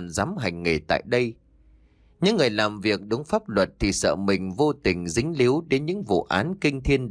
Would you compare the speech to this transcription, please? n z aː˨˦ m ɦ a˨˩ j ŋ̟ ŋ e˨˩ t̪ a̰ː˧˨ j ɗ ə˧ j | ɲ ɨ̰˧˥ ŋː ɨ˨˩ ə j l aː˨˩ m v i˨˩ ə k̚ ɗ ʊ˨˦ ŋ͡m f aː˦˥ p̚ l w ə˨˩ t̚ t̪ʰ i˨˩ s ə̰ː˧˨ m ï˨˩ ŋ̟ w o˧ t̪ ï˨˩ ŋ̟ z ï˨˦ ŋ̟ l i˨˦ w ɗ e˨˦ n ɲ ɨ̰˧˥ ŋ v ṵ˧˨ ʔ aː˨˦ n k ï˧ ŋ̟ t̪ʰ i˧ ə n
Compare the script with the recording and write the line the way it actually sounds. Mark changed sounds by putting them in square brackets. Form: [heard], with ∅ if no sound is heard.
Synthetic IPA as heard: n z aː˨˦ m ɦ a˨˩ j ŋ̟ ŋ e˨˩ t̪ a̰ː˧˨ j ɗ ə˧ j | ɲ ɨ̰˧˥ ŋː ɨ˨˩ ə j l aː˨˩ m v i˨˩ ə k̚ ɗ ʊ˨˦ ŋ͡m f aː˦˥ p̚ l w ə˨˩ t̚ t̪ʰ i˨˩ s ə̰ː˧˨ m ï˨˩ ŋ̟ [v] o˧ t̪ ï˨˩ ŋ̟ z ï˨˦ ŋ̟ l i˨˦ w ɗ e˨˦ n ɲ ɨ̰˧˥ ŋ v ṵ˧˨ ʔ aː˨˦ n k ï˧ ŋ̟ t̪ʰ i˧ ə n